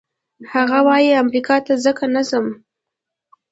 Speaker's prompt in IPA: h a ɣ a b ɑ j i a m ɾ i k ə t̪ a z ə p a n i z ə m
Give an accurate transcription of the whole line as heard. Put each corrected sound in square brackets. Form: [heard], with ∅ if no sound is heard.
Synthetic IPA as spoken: h a ɣ a [w] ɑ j i a m ɾ i k [ɑ] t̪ a z ə [k] a n [a] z ə m